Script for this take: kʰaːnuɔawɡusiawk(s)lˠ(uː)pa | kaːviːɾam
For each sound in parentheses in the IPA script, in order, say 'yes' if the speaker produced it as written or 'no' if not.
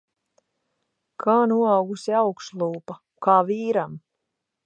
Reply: yes, yes

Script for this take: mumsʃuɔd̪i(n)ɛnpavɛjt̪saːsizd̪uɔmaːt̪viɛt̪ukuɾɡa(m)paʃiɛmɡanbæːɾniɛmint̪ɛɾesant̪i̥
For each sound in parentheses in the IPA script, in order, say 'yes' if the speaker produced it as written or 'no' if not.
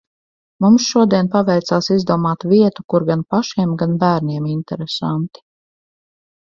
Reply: no, no

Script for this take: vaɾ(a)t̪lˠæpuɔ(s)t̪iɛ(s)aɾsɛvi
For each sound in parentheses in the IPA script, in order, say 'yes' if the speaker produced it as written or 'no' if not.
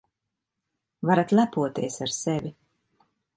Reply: yes, no, yes

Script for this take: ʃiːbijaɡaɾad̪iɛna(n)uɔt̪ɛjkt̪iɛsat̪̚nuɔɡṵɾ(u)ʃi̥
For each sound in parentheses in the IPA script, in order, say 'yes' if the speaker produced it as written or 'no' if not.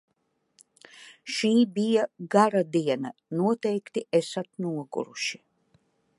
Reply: yes, yes

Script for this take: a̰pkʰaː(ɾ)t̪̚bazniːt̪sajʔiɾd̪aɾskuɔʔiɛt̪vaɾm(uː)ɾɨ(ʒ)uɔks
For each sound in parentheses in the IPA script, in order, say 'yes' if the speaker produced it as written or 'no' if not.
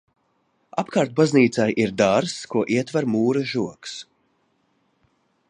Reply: yes, yes, yes

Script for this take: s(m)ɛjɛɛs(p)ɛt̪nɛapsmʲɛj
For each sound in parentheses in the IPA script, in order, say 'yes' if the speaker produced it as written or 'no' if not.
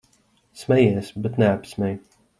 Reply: yes, no

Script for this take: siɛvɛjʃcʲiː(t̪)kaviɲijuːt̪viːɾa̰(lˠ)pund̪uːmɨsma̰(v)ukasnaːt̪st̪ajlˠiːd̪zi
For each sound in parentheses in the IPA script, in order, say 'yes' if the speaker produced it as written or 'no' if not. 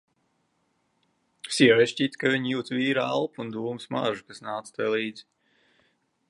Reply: yes, yes, no

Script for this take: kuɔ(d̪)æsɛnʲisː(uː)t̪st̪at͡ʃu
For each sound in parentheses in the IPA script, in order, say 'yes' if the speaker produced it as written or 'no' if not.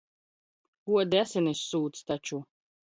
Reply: yes, yes

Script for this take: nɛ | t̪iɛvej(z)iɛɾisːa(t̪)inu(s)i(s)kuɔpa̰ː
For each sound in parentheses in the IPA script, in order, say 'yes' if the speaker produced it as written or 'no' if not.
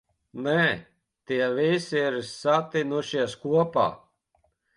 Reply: no, yes, no, yes

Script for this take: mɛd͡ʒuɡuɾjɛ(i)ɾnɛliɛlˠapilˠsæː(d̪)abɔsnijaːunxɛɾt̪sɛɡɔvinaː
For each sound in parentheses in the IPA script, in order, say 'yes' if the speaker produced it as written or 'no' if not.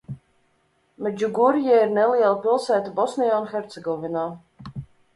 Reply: yes, no

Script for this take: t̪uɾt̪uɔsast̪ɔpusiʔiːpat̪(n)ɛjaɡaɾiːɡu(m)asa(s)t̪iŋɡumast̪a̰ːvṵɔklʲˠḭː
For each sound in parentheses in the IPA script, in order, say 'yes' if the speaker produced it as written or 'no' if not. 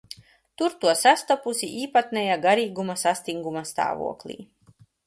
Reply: yes, yes, yes

